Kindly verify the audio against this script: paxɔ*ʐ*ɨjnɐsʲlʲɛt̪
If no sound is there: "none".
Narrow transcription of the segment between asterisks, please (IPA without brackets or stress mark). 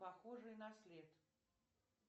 ʐ